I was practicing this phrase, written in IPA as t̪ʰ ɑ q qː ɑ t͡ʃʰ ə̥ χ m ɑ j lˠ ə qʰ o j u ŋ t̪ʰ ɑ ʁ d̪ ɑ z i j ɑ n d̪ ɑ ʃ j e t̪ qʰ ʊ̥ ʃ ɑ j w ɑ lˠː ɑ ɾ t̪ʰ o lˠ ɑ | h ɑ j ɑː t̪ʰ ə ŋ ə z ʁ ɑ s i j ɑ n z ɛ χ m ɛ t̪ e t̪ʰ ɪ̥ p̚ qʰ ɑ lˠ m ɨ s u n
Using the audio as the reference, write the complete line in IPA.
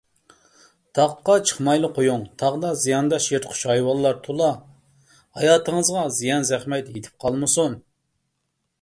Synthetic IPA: t̪ʰ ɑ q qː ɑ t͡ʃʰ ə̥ χ m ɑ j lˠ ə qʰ o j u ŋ t̪ʰ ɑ ʁ d̪ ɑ z i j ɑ n d̪ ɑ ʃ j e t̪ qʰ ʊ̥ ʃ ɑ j w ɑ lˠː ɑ ɾ t̪ʰ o lˠ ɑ | h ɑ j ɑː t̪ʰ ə ŋ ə z ʁ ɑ z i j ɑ n z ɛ χ m ɛ t̪ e t̪ʰ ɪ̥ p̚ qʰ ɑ lˠ m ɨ s u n